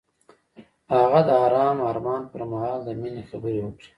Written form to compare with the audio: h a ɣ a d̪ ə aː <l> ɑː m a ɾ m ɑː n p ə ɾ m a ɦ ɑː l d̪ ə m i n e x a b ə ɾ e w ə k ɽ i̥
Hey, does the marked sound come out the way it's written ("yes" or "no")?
no